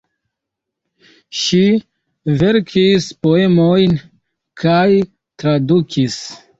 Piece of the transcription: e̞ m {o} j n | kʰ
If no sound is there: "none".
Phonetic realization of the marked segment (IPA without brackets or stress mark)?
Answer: o